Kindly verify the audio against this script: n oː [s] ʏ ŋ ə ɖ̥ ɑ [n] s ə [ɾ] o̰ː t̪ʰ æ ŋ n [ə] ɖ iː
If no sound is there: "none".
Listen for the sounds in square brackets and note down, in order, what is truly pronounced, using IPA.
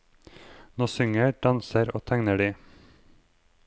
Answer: s, n, ɾ, ə

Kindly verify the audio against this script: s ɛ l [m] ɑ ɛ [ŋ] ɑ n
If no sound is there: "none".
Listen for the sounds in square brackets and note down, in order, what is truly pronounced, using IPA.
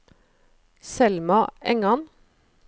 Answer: m, ŋ

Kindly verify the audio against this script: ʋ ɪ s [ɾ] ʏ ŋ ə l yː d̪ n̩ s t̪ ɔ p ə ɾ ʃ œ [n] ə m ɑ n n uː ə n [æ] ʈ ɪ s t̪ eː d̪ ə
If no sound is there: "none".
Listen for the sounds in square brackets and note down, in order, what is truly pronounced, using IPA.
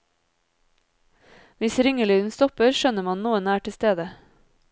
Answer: ɾ, n, æː

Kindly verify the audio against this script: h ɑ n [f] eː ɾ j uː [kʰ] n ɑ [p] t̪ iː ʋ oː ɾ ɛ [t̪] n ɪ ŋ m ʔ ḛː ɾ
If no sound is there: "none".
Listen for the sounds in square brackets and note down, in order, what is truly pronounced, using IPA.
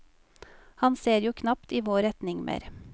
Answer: s, kʰ, p, t̪

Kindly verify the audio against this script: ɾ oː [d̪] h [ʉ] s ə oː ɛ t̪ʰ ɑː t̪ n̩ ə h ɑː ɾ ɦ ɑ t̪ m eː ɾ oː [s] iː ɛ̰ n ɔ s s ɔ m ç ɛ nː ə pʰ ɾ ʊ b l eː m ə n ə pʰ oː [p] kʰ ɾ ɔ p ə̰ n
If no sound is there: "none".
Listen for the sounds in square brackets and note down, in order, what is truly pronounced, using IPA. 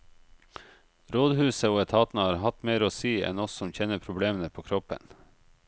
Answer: d̪, ʉː, s, none

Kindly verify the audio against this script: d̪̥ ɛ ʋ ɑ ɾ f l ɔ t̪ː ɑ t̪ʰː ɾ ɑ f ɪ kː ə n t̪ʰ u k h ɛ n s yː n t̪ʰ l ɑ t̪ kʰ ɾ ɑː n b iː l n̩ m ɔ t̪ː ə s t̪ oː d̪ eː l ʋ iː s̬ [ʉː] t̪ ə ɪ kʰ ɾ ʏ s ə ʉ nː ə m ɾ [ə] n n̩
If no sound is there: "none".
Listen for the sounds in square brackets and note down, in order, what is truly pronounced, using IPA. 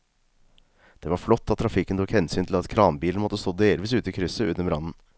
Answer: ʉː, ɑ

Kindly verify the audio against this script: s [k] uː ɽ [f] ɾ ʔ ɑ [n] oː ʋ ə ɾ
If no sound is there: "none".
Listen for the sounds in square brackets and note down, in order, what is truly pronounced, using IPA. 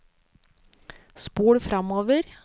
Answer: p, f, m

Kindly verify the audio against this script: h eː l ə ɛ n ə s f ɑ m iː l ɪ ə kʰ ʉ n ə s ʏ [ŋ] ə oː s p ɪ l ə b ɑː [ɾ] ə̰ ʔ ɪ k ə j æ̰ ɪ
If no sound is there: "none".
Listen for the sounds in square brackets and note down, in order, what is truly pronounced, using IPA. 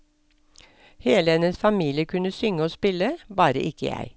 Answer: ŋ, ɾ

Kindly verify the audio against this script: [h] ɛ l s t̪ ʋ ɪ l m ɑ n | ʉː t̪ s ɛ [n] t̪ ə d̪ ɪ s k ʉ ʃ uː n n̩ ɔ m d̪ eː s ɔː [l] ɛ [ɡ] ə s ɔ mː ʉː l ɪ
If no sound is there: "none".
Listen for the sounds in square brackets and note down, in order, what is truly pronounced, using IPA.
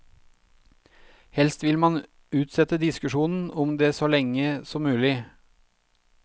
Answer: h, none, l, ŋ

